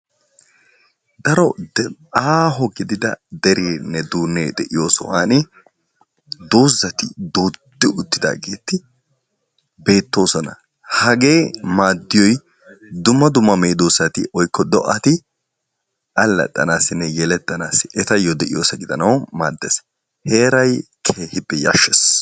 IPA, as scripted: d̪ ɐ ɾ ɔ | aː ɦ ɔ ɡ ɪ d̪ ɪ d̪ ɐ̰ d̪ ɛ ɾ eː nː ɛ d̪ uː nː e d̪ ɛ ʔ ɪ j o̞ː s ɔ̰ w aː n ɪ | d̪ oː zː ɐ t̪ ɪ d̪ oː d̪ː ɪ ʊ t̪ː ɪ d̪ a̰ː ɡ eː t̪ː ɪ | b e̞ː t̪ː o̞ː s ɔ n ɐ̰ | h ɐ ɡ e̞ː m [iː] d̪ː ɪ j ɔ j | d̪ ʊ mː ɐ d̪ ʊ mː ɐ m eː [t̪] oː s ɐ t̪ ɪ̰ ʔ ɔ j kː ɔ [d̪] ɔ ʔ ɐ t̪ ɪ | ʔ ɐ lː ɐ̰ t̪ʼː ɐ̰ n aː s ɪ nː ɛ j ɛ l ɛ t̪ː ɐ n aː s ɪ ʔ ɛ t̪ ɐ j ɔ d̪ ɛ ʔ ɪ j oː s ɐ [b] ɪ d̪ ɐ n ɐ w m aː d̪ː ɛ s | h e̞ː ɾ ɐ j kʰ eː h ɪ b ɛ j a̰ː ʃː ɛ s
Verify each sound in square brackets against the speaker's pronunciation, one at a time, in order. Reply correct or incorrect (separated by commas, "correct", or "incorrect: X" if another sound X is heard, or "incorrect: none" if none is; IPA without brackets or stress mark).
incorrect: aː, incorrect: d̪, correct, incorrect: ɡ